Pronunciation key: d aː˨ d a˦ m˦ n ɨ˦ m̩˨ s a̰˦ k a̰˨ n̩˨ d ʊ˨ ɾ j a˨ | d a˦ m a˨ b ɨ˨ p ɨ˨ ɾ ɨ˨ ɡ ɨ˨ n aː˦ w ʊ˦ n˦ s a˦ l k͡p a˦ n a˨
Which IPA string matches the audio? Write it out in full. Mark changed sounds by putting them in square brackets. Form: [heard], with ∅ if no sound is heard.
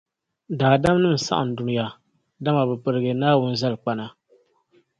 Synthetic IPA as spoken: d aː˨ d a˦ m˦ n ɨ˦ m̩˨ s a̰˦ [ʔ] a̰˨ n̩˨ d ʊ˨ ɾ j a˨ | d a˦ m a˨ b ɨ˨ p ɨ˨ ɾ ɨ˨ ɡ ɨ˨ n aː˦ w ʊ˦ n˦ [z] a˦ l k͡p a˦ n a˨